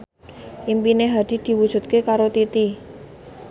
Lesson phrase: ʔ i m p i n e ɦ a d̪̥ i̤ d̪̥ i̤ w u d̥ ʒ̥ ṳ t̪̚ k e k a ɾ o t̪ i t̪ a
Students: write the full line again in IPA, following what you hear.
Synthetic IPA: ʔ i m p i n e ɦ a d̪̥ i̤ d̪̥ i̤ w u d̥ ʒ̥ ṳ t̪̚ k e k a ɾ o t̪ i t̪ i